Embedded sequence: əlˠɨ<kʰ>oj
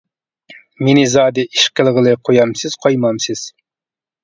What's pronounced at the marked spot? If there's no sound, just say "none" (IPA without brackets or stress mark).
qʰ